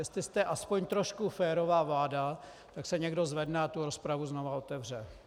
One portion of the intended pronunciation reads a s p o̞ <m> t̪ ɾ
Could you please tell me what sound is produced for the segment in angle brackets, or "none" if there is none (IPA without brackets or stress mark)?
ɲ